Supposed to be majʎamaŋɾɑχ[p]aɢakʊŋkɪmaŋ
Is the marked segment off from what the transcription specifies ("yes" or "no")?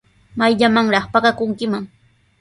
no